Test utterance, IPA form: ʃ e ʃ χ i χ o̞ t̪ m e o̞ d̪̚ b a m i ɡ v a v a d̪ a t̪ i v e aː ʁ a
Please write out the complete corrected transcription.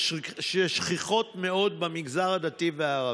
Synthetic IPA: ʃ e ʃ χ i χ o̞ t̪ m e o̞ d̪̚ b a m i ɡ z a ʁ a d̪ a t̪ i v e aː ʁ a